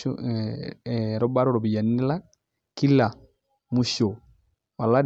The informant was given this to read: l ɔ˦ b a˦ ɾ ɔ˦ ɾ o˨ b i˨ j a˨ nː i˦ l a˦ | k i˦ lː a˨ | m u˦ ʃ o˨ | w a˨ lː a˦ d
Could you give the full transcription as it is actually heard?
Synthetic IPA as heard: ɾ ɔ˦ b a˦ ɾ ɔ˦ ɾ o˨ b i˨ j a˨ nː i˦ l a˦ | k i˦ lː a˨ | m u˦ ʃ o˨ | w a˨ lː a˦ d